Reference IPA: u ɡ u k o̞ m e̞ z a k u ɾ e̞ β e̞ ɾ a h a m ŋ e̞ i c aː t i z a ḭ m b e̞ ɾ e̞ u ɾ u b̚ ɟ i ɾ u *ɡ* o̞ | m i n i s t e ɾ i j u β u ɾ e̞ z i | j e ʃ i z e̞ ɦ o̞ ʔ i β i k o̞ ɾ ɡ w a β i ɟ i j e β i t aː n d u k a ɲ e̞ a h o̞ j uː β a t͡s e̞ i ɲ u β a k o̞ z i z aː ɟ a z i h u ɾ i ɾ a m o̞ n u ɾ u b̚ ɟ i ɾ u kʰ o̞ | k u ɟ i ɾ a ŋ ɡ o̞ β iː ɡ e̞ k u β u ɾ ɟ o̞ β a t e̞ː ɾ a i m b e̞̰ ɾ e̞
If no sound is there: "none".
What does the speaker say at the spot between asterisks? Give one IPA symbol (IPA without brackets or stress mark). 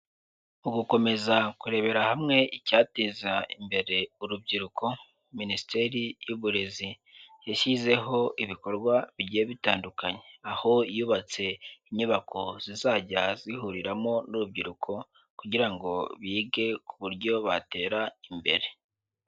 k